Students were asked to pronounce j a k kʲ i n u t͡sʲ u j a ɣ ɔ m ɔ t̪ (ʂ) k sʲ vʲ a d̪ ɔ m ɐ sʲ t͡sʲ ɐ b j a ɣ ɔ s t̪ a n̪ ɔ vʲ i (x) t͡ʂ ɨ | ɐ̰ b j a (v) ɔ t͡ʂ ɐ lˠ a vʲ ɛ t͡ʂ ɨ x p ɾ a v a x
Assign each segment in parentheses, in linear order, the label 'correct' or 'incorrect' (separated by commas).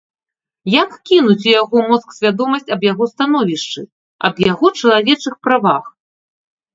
incorrect, incorrect, incorrect